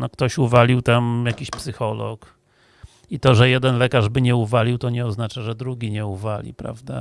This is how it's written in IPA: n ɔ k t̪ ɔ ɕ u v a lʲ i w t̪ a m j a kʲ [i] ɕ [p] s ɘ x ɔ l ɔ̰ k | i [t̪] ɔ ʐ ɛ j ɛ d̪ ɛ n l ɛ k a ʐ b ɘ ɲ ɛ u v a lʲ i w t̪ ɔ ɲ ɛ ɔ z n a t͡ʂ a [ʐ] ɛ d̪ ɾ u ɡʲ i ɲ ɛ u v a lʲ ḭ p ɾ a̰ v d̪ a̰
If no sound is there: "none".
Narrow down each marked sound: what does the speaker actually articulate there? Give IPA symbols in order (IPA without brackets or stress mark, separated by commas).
i, p, t̪, ʐ